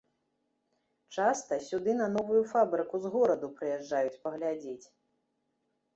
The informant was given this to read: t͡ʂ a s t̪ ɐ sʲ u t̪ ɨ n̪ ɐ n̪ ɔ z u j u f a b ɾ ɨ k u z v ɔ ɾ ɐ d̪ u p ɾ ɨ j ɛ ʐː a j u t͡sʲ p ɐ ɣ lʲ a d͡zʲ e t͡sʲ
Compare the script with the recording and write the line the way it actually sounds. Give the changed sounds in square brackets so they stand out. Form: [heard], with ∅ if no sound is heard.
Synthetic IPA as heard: t͡ʂ a s t̪ ɐ sʲ u [d̪] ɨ n̪ ɐ n̪ ɔ [v] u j u f a b ɾ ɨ k u z [ɣ] ɔ ɾ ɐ d̪ u p ɾ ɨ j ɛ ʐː a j u t͡sʲ p ɐ ɣ lʲ a d͡zʲ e t͡sʲ